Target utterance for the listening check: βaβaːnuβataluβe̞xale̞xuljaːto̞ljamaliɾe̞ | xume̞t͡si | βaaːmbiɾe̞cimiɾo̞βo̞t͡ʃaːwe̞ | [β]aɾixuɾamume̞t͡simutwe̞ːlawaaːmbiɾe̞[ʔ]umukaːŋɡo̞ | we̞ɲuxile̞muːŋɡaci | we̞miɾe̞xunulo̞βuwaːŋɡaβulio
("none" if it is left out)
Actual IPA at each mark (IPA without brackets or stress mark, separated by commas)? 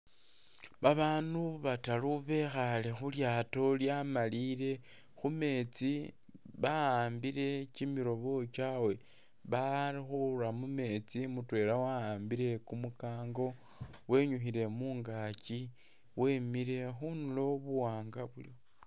β, k